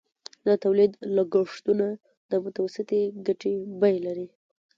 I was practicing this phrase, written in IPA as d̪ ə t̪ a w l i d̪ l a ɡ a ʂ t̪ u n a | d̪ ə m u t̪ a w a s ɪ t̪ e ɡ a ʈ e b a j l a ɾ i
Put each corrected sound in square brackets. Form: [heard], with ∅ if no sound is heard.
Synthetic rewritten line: d̪ ə t̪ a w l i d̪ l a ɡ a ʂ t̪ u n a | d̪ ə m [ʊ] t̪ a w a s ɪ t̪ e ɡ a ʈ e b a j l a ɾ i